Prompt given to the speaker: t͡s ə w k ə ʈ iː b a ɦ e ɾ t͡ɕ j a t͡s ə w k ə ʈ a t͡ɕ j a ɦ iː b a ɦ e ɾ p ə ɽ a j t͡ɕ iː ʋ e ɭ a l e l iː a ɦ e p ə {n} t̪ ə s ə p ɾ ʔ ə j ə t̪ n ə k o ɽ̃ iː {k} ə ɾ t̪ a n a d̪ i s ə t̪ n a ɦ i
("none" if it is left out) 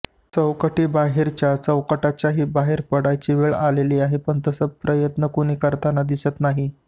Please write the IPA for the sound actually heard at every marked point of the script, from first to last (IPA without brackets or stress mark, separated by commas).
ɳ, k